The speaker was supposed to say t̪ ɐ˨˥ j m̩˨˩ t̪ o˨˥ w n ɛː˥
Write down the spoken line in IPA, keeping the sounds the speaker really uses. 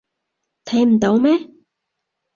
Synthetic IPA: t̪ʰ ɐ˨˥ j m̩˨˩ t̪ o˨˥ w m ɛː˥